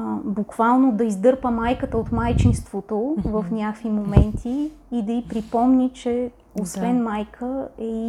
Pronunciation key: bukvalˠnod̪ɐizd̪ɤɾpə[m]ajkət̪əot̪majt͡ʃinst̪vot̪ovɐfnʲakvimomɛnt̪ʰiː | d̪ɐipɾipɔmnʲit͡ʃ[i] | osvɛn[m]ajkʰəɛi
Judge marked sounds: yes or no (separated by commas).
yes, no, yes